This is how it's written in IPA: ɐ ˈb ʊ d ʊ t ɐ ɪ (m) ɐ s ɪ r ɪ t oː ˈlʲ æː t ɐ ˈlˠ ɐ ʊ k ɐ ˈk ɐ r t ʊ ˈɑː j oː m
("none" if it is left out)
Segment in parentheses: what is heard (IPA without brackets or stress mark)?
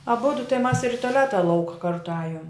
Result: m